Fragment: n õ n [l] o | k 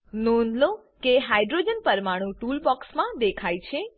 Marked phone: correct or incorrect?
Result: correct